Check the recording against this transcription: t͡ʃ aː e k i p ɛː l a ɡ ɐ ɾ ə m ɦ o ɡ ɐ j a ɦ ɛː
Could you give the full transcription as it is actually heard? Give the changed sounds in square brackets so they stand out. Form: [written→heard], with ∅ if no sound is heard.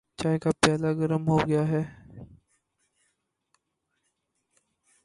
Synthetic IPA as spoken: t͡ʃ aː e k [i→a] p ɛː l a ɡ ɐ ɾ ə m ɦ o ɡ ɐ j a ɦ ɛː